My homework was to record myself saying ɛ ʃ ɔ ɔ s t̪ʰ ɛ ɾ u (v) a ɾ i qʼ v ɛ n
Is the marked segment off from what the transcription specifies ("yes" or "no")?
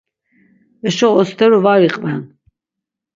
no